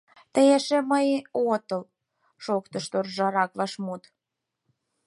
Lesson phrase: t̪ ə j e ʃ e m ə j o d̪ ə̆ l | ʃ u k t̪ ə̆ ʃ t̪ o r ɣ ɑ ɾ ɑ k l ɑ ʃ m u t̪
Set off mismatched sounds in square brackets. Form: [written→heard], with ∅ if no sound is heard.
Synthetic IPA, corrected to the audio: t̪ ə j e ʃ e m ə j o [d̪→t̪] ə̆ l | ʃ [u→o] k t̪ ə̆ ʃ t̪ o r [ɣ→ʒ] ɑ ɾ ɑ k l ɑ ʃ m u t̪